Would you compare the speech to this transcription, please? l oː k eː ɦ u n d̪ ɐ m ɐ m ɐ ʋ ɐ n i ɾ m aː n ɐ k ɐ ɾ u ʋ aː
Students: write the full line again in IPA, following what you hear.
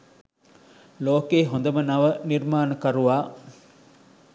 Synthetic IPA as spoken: l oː k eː ɦ o n d̪ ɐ m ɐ n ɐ ʋ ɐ n i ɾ m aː n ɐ k ɐ ɾ u ʋ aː

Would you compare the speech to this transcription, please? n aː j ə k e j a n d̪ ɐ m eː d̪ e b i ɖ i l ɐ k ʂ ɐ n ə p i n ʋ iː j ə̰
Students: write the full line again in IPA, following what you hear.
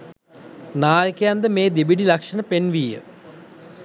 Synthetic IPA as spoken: n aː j ə k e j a n d̪ ə m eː d̪ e b i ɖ i l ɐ k ʂ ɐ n ə p e n ʋ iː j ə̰

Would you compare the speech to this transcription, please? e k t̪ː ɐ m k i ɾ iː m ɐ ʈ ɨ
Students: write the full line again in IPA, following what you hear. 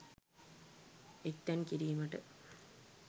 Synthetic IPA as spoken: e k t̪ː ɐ n k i ɾ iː m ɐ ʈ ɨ

